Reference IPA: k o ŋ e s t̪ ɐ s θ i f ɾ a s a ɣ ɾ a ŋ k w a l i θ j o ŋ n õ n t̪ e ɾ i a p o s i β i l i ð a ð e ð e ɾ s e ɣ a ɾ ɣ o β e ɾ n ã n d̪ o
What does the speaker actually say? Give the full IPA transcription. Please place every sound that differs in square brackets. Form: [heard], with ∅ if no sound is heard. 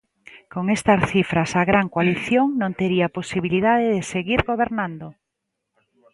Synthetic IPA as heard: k o ŋ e s t̪ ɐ s θ i f ɾ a s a ɣ ɾ a ŋ k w a l i θ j o ŋ n õ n t̪ e ɾ i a p o s i β i l i ð a ð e ð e [∅] s e ɣ [i] ɾ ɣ o β e ɾ n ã n d̪ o